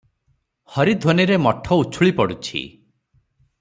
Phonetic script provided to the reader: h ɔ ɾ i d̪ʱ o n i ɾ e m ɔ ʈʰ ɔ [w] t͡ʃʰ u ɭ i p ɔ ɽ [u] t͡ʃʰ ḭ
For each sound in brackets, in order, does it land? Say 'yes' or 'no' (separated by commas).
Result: no, yes